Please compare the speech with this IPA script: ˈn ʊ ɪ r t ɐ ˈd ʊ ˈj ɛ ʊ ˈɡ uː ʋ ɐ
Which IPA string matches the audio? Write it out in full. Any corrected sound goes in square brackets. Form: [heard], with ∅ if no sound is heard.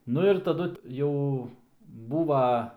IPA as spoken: ˈn ʊ ɪ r t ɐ ˈd ʊ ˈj ɛ ʊ [ˈb] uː ʋ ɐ

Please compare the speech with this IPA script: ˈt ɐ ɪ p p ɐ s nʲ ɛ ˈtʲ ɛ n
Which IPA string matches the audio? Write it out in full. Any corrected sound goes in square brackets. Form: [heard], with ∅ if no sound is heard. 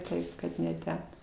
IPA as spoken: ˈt ɐ ɪ p [k] ɐ [t] nʲ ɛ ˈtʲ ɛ n

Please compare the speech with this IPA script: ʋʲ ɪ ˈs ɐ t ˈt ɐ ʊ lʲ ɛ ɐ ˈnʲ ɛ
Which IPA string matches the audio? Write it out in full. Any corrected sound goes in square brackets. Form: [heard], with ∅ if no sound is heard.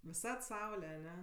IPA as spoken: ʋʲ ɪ ˈs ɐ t [ˈs] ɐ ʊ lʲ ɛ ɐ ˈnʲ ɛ

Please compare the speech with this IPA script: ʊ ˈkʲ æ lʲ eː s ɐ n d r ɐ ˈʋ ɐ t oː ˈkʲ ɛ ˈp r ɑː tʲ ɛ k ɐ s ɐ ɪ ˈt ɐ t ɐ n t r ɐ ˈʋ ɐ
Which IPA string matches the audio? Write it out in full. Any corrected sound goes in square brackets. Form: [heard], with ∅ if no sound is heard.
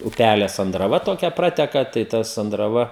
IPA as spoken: ʊ [ˈpʲ] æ lʲ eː s ɐ n d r ɐ ˈʋ ɐ t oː ˈkʲ ɛ ˈp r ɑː tʲ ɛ k ɐ [t] ɐ ɪ ˈt ɐ [s] ɐ n [d] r ɐ ˈʋ ɐ

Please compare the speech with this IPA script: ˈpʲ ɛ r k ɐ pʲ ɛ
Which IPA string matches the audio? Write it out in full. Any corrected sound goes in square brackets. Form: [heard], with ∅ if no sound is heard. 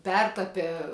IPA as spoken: ˈpʲ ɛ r [t] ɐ pʲ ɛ

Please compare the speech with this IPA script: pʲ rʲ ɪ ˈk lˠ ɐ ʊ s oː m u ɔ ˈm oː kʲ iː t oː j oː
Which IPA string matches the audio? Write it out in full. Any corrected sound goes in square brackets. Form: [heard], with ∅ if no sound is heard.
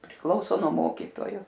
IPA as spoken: pʲ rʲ ɪ ˈk lˠ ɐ ʊ s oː [n] u ɔ ˈm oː kʲ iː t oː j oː

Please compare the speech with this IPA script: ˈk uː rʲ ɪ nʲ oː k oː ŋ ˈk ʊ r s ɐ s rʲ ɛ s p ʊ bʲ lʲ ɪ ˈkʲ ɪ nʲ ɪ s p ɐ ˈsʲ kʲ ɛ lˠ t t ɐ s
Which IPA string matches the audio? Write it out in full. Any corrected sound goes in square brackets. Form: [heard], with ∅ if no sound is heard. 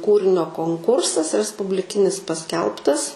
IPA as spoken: ˈk uː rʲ ɪ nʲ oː k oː ŋ ˈk ʊ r s ɐ s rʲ ɛ s p ʊ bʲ lʲ ɪ ˈkʲ ɪ nʲ ɪ s p ɐ ˈsʲ kʲ ɛ lˠ [p] t ɐ s

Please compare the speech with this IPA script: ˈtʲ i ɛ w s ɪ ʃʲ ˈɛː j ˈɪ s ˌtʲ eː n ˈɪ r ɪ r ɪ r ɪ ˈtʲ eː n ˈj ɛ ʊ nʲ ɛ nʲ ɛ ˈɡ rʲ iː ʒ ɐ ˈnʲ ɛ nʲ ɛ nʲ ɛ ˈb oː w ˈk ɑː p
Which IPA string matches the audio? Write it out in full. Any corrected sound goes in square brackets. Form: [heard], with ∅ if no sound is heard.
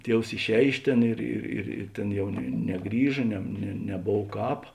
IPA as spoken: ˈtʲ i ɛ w s ɪ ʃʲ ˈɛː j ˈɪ [ʃ] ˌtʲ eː n ˈɪ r ɪ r ɪ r ɪ ˈtʲ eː n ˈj ɛ ʊ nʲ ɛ nʲ ɛ ˈɡ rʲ iː ʒ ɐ ˈnʲ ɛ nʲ ɛ nʲ ɛ ˈb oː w ˈk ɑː p

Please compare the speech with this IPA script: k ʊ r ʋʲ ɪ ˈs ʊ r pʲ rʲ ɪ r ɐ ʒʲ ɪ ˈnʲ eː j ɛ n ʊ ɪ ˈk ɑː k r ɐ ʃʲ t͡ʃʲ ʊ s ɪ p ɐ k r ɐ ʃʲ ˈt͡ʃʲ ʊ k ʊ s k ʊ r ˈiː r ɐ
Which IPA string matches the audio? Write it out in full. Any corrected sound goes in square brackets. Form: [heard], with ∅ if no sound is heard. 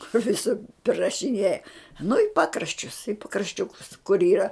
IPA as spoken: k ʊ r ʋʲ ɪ ˈs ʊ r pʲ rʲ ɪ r ɐ [ʃʲ] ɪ ˈnʲ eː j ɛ n ʊ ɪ [ˈp] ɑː k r ɐ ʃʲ t͡ʃʲ ʊ s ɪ p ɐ k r ɐ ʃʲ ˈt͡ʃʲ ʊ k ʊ s k ʊ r ˈiː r ɐ

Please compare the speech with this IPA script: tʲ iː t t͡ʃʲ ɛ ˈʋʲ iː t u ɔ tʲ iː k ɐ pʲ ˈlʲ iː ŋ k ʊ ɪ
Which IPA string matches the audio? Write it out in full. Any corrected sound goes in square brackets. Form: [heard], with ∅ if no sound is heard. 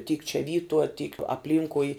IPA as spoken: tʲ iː [k] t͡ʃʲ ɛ ˈʋʲ iː t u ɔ tʲ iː k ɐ pʲ ˈlʲ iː ŋ k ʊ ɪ

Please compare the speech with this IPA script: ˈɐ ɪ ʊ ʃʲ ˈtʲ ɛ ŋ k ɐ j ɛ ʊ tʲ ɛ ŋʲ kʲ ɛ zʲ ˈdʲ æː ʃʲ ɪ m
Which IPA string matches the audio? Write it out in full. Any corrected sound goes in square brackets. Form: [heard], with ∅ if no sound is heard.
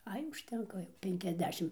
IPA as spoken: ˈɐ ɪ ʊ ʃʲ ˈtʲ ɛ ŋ k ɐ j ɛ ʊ [pʲ] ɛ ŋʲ kʲ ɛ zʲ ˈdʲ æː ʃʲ ɪ m

